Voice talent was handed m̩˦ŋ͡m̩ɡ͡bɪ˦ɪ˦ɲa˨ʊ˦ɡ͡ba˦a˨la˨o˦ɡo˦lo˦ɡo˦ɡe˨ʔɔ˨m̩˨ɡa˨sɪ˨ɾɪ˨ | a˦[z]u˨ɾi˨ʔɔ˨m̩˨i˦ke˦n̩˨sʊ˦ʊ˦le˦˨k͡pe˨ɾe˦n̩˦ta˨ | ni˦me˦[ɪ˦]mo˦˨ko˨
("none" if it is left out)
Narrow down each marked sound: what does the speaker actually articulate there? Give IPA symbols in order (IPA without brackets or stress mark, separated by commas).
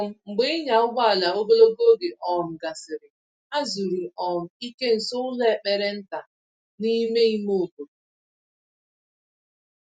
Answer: z, i˦